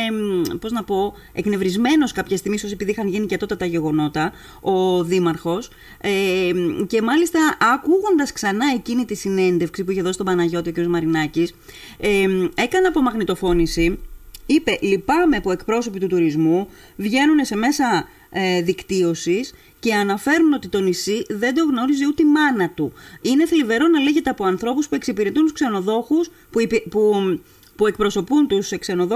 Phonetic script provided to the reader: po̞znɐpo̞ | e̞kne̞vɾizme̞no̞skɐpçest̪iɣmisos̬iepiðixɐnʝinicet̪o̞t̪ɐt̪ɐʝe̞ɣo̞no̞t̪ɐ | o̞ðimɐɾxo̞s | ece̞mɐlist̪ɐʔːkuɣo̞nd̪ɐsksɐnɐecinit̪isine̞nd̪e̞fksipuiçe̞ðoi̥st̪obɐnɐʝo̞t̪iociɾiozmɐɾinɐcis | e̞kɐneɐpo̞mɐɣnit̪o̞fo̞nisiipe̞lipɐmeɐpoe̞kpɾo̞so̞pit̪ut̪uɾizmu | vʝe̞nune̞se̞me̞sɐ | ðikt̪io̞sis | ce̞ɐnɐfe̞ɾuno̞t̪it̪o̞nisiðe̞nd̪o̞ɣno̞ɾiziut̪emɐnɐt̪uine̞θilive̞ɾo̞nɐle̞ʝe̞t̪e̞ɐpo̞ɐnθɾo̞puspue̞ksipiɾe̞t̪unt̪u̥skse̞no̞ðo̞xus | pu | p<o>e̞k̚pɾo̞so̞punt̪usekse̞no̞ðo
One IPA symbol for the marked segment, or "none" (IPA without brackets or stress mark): u